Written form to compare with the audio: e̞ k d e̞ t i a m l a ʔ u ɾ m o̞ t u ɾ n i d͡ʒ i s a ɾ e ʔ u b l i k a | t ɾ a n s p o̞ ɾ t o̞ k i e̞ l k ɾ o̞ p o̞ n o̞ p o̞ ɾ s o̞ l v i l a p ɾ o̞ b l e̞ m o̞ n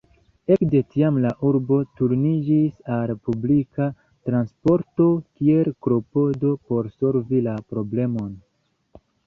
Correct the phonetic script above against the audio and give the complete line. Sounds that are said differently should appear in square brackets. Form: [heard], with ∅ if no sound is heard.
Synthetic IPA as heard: e̞ k d e̞ t i a m l a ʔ u ɾ [b] o̞ t u ɾ n i d͡ʒ i s a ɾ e [p] u b l i k a | t ɾ a n s p o̞ ɾ t o̞ k i e̞ l k ɾ o̞ p o̞ [d] o̞ p o̞ ɾ s o̞ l v i l a p ɾ o̞ b l e̞ m o̞ n